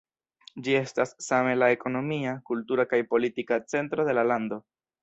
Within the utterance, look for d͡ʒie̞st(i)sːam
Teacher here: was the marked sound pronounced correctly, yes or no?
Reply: no